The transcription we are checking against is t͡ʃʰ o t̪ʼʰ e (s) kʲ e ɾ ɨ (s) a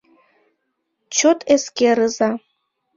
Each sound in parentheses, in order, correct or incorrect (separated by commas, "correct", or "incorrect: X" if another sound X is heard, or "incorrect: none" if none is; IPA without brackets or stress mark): correct, incorrect: z